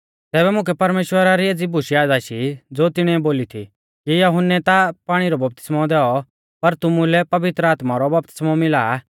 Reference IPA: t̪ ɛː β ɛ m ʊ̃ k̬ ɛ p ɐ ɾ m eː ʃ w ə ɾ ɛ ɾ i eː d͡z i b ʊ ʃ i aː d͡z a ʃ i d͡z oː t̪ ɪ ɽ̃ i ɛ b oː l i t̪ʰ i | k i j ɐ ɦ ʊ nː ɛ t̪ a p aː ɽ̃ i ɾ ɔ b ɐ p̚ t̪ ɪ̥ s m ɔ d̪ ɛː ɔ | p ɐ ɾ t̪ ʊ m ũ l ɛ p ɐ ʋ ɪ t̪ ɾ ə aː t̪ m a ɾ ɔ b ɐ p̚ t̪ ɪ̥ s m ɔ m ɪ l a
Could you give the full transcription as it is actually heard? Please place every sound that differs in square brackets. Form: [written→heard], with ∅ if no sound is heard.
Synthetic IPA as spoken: t̪ ɛː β ɛ m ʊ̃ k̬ ɛ p ɐ ɾ m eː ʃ w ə ɾ [ɛ→a] ɾ i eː d͡z i b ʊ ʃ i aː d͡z a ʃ i d͡z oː t̪ ɪ ɽ̃ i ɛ b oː l i t̪ʰ i | k i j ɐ ɦ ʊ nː ɛ t̪ a p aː ɽ̃ i ɾ ɔ b ɐ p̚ t̪ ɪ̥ s m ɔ d̪ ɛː ɔ | p ɐ ɾ t̪ ʊ m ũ l ɛ p ɐ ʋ ɪ t̪ ɾ ə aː t̪ m a ɾ ɔ b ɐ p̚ t̪ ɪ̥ s m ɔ m ɪ l a